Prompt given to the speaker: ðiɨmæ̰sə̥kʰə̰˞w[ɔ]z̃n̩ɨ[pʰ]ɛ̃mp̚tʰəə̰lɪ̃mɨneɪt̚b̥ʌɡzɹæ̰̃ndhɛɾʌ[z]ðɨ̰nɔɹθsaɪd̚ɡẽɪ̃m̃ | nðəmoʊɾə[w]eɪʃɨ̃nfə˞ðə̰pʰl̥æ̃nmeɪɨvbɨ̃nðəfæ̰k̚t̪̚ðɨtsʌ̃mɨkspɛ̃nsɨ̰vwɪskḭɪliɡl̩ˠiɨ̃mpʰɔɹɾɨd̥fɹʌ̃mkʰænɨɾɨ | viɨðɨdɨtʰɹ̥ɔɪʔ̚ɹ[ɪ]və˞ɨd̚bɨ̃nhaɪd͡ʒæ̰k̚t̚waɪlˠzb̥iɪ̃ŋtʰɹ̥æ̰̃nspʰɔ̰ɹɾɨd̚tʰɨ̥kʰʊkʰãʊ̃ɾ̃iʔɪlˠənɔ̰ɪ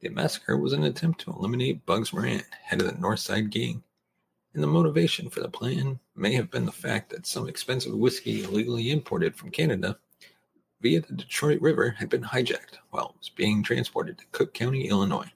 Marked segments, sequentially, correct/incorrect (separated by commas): incorrect, incorrect, incorrect, incorrect, correct